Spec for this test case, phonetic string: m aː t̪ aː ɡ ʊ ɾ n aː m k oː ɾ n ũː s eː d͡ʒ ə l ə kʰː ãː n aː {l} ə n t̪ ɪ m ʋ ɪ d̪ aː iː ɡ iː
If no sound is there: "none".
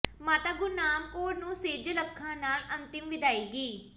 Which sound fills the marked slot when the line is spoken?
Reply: l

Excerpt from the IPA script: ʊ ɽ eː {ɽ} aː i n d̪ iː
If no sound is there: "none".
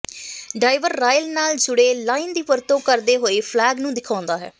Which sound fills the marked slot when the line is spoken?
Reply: l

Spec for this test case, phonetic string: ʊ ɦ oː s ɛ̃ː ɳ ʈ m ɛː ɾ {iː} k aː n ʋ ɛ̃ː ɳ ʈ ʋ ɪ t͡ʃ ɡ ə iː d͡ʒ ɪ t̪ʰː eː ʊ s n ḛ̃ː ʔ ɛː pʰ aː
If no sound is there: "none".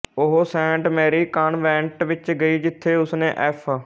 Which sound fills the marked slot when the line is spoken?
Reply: iː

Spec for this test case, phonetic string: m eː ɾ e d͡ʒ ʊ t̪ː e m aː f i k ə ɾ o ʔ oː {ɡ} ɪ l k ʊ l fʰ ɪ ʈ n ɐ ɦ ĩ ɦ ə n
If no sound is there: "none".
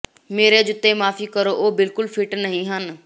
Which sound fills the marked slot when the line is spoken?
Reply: b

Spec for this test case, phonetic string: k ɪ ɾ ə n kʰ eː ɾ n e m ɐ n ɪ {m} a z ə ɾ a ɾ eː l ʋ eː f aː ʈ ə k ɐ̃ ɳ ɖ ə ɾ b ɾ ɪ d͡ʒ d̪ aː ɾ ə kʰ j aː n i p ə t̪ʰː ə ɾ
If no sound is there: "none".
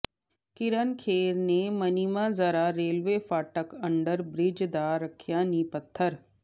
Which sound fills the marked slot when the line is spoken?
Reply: m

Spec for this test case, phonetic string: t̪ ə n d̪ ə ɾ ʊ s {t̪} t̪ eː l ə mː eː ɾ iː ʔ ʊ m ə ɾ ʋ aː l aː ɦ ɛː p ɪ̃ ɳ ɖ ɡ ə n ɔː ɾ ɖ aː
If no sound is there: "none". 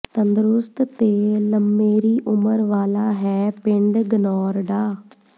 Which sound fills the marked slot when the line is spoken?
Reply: t̪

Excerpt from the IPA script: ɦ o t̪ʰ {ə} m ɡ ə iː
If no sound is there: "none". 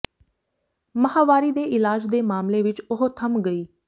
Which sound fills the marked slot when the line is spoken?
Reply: ə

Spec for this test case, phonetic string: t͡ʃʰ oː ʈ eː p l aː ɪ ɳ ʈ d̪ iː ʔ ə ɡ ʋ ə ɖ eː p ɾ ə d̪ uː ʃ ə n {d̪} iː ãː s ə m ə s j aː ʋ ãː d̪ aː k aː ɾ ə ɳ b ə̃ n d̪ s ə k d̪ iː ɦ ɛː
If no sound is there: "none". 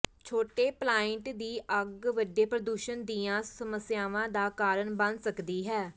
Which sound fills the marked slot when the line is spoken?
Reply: d̪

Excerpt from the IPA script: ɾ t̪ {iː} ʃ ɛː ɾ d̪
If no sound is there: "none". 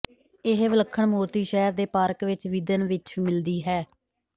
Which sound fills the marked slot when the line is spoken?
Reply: iː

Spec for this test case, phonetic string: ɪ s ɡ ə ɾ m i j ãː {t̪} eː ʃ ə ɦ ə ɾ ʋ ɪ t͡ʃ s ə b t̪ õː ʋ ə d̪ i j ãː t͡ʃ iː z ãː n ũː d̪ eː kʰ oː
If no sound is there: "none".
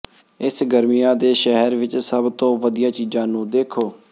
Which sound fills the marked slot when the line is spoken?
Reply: d̪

